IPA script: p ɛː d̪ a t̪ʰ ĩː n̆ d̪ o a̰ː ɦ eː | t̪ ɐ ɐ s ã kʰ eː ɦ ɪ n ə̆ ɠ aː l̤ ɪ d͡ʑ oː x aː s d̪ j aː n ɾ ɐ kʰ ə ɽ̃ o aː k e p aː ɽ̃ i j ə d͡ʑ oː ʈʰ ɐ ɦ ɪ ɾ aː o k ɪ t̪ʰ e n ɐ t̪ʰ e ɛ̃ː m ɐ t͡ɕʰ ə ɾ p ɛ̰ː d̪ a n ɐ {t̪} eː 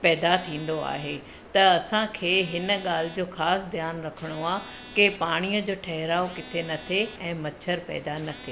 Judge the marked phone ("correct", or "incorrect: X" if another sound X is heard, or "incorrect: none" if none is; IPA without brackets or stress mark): incorrect: t̪ʰ